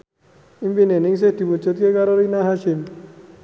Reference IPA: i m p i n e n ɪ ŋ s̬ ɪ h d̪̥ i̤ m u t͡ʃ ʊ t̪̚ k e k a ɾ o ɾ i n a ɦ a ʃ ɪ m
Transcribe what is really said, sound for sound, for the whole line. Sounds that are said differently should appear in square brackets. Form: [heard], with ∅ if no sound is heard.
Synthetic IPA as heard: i m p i n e n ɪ ŋ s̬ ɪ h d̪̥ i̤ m u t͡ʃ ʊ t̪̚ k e k a ɾ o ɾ i n a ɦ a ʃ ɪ m